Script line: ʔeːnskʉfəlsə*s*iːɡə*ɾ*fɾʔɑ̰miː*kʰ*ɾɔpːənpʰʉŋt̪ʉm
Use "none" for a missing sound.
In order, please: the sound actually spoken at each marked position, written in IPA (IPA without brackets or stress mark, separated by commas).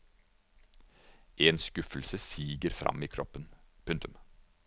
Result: s, ɾ, kʰ